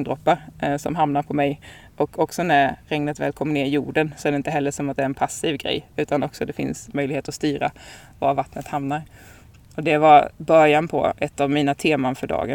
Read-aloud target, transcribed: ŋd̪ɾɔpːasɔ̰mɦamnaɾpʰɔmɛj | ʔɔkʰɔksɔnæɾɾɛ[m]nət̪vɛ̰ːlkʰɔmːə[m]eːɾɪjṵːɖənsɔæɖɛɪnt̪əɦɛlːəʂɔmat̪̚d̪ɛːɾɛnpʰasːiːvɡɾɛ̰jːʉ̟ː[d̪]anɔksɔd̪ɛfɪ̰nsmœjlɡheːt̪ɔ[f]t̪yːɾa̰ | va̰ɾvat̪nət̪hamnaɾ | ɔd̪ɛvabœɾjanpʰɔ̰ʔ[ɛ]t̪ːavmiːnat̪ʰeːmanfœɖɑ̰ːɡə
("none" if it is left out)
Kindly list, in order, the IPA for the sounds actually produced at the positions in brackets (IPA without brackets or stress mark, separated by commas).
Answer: ŋ, n, t̪, s, ɛ